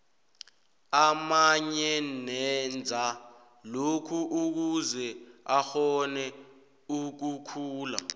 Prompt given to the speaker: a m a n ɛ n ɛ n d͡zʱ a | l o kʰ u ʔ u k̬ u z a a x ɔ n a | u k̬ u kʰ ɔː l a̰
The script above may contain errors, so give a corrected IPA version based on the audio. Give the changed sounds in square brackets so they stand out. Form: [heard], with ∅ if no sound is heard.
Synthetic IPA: a m a [ɲ] ɛ n ɛ n d͡zʱ a | l o kʰ u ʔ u k̬ u z [ɛ] a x ɔ n [ɛ] | u k̬ u kʰ [uː] l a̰